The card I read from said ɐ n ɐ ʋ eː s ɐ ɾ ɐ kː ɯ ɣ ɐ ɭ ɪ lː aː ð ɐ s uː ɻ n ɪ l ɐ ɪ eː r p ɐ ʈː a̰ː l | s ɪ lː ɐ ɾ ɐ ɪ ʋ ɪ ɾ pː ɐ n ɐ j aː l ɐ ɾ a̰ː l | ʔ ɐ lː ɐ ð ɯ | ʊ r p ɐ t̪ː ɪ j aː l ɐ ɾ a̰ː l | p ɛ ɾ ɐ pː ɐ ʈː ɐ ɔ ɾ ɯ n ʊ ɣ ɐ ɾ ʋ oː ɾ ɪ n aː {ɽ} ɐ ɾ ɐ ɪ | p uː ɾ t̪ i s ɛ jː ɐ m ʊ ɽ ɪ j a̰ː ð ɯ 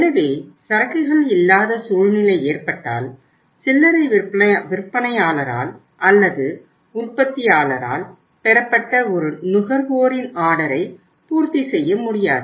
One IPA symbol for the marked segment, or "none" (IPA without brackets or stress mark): ɽ